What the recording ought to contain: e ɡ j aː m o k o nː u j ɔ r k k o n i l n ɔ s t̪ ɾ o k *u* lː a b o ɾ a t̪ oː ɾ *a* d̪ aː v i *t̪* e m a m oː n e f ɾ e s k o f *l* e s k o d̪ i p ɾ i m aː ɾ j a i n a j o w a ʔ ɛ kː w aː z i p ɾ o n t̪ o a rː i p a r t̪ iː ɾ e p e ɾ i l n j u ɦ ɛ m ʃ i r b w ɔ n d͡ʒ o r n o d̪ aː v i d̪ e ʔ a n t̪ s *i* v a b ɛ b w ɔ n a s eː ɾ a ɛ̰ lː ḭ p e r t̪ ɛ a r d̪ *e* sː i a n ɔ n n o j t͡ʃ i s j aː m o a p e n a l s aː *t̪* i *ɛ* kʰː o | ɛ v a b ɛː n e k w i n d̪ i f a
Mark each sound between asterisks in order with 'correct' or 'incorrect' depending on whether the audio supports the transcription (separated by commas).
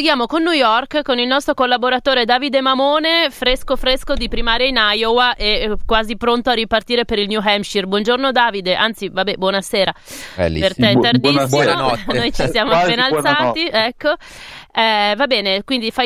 incorrect, incorrect, incorrect, incorrect, correct, incorrect, correct, correct